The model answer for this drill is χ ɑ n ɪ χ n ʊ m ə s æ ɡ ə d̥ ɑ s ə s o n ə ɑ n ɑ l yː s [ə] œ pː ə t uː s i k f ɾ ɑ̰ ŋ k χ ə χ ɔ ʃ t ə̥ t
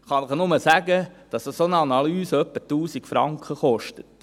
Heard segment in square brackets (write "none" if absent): ə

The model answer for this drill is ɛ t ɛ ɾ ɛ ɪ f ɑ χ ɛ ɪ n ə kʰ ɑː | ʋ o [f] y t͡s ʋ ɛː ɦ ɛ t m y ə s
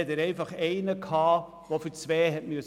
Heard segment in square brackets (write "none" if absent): f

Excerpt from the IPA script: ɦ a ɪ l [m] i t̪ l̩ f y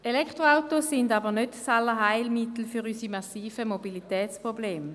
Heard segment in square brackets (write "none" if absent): m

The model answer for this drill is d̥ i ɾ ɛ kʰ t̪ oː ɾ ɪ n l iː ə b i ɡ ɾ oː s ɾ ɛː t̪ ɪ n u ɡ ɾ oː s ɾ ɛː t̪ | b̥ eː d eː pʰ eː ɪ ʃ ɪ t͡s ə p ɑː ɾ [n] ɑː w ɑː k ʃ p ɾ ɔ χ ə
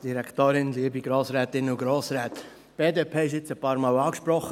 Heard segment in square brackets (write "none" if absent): m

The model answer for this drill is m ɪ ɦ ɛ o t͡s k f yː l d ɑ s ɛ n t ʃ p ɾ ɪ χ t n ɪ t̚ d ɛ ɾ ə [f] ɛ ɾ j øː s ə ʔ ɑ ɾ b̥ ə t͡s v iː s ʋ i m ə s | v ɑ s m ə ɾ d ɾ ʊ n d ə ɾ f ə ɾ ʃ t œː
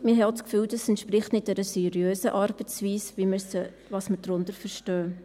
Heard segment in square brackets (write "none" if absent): s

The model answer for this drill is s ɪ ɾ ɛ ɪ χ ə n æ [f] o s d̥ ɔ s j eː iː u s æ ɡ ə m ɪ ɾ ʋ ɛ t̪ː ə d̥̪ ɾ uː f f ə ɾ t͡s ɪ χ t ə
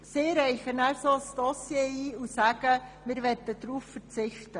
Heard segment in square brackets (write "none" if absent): s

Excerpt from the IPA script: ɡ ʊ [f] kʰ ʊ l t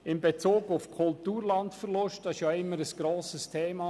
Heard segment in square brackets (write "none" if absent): f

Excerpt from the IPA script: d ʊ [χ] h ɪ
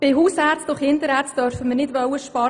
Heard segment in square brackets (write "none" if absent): χ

